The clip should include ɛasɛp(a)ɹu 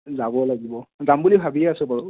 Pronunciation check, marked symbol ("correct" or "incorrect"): correct